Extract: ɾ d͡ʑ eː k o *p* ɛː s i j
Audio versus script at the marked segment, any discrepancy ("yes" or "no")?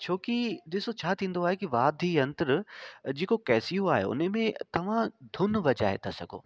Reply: yes